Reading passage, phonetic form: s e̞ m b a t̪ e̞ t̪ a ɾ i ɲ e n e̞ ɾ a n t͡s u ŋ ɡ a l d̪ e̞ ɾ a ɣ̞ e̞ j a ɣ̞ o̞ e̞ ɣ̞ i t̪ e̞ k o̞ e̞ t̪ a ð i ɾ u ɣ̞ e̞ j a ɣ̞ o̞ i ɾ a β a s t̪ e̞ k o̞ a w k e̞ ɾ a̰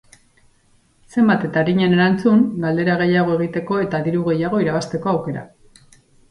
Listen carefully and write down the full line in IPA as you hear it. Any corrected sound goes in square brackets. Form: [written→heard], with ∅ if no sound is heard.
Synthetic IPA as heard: s e̞ m b a t̪ e̞ t̪ a ɾ i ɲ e n e̞ ɾ a n t͡s u ŋ ɡ a l d̪ e̞ ɾ a ɣ̞ e̞ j a ɣ̞ o̞ e̞ ɣ̞ i t̪ e̞ k o̞ e̞ t̪ a ð i ɾ u ɣ̞ e̞ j a ɣ̞ o̞ i ɾ a β a s t̪ e̞ k o̞ a w k e̞ ɾ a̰